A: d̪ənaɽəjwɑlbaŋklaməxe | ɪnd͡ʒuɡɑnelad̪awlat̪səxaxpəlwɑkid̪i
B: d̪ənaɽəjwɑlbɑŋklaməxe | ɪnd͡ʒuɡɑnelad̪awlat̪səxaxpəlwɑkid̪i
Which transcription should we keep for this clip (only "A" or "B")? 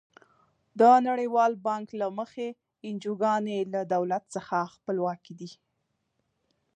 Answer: B